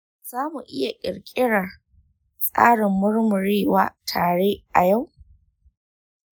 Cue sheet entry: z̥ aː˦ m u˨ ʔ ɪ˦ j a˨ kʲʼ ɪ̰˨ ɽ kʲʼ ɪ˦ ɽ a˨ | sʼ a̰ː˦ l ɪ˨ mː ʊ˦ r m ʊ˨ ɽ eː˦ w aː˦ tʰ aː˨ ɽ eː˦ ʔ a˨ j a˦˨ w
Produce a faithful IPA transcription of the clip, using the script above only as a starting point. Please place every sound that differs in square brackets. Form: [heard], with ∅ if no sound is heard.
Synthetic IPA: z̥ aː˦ m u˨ ʔ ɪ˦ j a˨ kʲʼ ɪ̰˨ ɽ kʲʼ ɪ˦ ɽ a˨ | sʼ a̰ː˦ [ɽ] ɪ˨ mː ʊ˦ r m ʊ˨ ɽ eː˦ w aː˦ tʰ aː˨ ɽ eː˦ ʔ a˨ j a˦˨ w